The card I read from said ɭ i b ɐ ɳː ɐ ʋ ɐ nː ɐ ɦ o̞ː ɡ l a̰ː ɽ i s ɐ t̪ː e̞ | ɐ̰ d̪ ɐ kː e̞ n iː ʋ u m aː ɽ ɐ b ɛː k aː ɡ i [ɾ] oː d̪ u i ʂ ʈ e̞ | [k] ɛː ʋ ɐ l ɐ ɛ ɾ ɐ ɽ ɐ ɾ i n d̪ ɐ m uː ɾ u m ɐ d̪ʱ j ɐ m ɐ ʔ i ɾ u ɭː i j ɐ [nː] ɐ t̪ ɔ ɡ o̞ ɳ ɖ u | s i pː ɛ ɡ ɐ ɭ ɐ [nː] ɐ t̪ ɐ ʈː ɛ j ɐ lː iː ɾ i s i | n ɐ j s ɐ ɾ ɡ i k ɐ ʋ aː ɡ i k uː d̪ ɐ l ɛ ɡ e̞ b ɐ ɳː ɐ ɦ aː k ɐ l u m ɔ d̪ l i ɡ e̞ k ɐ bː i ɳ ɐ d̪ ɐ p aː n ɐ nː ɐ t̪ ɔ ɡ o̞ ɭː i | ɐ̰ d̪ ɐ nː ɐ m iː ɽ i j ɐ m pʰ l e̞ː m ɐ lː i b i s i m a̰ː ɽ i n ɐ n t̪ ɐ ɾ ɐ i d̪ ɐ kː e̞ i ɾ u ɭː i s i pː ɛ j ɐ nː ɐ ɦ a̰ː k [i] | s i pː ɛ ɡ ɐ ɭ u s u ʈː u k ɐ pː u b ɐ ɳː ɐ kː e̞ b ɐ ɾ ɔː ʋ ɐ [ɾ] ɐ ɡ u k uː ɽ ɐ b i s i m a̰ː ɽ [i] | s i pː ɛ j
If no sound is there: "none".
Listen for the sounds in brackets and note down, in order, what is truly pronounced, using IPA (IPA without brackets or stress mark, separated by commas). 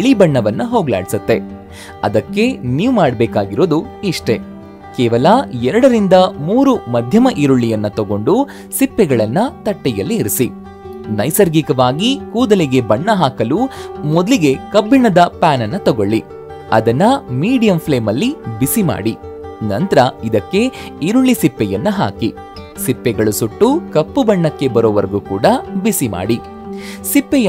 ɾ, k, nː, nː, i, ɾ, i